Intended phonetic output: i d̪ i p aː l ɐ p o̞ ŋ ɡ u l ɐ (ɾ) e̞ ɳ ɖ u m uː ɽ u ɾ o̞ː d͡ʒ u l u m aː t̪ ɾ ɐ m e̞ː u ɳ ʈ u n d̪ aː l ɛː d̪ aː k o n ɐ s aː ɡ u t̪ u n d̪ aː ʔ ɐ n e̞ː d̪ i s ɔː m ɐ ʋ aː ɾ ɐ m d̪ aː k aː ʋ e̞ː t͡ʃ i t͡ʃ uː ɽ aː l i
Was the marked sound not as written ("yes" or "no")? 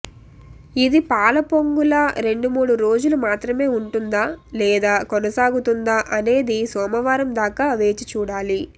no